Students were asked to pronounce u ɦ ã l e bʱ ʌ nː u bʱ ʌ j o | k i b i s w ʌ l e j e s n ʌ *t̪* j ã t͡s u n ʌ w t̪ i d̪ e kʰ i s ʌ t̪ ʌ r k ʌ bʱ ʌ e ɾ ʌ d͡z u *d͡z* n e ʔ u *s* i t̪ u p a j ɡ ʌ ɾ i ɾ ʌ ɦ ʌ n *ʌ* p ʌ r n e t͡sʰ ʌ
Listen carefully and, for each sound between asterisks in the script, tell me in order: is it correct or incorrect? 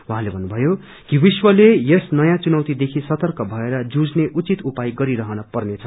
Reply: incorrect, correct, incorrect, correct

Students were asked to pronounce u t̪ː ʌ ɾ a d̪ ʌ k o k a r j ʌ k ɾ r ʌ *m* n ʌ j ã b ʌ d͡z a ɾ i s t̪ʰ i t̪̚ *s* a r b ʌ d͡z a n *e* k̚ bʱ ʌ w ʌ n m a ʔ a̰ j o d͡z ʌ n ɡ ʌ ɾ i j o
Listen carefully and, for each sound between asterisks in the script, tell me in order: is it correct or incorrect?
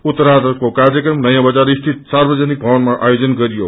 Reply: correct, correct, incorrect

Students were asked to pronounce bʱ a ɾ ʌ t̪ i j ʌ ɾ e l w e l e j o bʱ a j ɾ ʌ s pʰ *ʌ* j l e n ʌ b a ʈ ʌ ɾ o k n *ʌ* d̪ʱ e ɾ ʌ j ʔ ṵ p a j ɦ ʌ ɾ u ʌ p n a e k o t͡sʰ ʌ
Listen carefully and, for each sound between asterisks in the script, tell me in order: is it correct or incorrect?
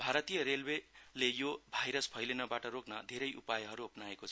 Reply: correct, correct

